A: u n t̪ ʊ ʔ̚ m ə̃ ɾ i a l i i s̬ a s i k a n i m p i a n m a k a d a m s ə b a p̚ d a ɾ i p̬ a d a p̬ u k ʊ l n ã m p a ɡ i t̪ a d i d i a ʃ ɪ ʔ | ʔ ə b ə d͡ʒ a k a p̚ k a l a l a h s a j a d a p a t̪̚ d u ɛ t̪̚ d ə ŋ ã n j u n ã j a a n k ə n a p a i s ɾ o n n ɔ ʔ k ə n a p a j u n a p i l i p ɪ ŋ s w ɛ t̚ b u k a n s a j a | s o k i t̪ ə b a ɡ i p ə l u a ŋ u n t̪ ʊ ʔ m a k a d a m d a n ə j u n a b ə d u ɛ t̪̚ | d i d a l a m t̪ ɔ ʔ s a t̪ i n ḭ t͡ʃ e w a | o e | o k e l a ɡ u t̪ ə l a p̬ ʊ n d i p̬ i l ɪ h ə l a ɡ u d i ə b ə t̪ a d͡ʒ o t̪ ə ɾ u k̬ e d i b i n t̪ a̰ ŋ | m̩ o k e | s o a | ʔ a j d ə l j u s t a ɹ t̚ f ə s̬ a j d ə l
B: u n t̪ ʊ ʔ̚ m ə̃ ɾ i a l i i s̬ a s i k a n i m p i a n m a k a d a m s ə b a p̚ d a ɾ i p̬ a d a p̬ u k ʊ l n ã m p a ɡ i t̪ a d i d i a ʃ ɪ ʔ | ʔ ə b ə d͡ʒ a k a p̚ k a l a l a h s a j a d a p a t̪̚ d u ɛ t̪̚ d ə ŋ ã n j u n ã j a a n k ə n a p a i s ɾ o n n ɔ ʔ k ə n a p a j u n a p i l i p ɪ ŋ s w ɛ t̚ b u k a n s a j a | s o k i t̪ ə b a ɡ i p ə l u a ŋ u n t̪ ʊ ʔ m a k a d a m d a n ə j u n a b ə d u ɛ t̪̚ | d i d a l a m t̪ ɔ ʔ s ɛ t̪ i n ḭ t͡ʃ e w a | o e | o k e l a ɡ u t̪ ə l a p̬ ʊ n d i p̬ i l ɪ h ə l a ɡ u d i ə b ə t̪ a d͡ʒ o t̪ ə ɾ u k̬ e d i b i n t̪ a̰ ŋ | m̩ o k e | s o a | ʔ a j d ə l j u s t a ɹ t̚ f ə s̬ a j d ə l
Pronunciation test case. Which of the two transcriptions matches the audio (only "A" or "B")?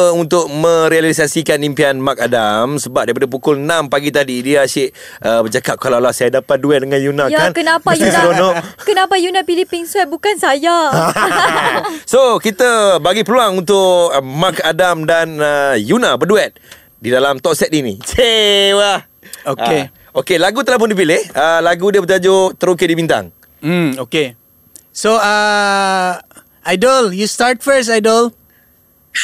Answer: B